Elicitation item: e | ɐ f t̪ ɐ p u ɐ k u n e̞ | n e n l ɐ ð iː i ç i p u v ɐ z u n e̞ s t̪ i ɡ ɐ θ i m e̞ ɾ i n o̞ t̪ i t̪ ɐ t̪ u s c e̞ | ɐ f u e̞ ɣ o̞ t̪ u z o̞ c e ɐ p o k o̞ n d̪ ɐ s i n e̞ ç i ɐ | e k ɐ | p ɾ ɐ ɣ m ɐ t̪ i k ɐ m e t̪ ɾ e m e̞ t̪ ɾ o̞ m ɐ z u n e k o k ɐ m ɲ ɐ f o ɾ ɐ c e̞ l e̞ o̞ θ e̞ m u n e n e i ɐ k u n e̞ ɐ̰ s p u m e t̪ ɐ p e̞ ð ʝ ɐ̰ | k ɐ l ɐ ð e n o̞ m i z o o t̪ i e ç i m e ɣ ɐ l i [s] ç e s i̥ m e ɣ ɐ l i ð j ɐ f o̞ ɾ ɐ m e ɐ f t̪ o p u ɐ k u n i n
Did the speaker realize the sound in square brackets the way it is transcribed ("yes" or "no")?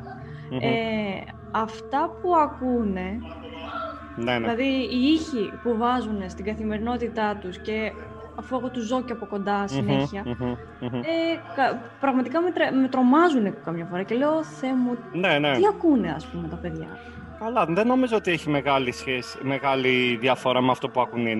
yes